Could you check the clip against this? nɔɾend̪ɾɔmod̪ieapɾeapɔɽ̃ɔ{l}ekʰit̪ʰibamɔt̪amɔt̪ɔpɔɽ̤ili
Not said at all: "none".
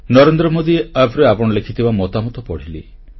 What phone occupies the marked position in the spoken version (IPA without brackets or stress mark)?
l